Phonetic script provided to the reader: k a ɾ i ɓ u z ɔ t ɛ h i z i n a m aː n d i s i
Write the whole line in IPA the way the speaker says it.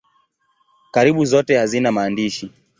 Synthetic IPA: k a ɾ i ɓ u z ɔ t ɛ h a z i n a m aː n d i ʃ i